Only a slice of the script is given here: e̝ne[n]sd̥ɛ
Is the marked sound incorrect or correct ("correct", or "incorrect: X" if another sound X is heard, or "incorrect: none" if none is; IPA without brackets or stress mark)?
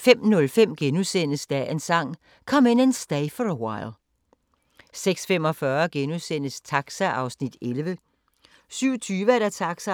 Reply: correct